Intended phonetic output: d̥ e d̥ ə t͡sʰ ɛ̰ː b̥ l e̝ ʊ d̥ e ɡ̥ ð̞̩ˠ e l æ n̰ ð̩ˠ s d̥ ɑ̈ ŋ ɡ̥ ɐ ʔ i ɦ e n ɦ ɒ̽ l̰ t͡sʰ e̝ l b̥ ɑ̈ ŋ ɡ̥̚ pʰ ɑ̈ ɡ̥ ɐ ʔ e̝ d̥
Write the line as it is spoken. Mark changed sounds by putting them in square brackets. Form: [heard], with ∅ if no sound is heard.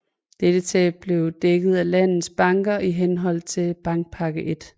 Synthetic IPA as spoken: d̥ e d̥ ə t͡sʰ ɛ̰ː b̥ l e̝ ʊ d̥ e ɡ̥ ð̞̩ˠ [æ] l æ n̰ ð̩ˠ s [b̥] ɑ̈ ŋ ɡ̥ ɐ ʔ i ɦ e n ɦ ɒ̽ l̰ t͡sʰ e̝ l b̥ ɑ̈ ŋ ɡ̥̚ pʰ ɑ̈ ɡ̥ [ə] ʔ e̝ d̥